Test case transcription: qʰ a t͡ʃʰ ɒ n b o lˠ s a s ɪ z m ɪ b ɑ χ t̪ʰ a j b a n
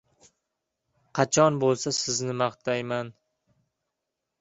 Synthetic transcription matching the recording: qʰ ɑ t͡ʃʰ ɒ n b o lˠ s a s ɪ z n ɪ m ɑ χ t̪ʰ a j m a n